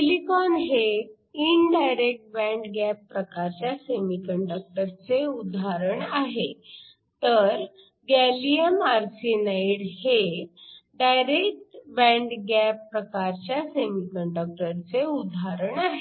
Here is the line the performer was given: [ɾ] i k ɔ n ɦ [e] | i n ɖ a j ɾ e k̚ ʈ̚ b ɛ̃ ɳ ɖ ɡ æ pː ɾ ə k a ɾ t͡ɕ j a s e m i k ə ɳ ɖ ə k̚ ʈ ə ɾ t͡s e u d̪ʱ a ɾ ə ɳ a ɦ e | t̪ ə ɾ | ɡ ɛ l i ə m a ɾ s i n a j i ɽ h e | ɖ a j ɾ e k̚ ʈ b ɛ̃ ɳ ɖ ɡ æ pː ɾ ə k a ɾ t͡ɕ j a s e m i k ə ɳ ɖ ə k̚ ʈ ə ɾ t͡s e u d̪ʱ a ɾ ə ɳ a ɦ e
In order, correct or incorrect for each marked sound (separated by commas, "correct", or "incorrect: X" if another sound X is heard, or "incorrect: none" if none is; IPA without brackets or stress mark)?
incorrect: l, correct